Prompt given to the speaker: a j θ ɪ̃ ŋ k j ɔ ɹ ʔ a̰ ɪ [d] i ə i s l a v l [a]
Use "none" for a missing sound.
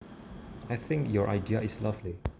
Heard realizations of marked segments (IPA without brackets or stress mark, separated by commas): d, i